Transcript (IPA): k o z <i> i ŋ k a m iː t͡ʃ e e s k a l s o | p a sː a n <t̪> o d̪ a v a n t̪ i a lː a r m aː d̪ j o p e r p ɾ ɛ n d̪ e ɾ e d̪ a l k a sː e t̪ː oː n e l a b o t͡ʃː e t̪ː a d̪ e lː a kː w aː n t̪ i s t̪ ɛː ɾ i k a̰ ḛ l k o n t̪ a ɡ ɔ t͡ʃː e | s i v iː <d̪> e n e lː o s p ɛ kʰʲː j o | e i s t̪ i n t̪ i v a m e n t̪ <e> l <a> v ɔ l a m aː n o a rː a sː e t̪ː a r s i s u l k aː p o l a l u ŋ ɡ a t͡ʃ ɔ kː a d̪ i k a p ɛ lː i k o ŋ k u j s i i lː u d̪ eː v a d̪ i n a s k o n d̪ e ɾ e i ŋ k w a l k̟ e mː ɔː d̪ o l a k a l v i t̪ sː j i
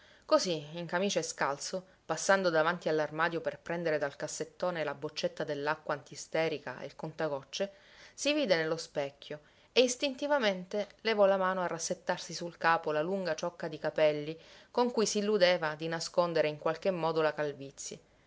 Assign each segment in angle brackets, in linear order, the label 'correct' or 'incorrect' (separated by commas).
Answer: correct, incorrect, correct, correct, incorrect